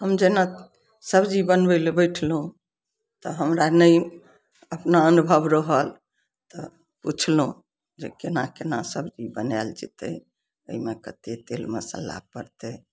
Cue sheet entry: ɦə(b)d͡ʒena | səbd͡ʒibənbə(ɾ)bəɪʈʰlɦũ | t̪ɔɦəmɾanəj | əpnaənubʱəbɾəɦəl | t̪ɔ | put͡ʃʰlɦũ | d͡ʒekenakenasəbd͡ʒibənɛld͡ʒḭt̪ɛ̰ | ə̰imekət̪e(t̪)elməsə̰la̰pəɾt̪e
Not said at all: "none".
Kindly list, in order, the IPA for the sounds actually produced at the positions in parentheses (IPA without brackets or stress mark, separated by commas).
m, l, t̪